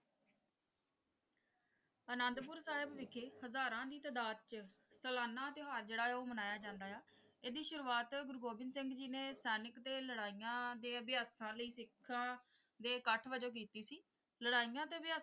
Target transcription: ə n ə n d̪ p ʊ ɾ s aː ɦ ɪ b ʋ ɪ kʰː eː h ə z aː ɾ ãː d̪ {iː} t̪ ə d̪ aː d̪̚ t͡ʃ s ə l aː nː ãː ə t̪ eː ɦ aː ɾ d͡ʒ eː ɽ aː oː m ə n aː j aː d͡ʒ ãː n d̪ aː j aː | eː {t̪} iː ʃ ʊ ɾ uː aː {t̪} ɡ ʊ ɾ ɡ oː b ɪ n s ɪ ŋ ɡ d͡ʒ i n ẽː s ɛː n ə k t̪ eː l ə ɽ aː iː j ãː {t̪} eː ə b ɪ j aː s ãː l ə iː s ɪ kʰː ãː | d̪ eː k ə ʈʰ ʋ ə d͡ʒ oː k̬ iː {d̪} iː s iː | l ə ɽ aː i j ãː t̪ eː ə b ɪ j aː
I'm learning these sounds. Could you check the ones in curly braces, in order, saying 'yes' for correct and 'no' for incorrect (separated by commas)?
yes, no, yes, no, no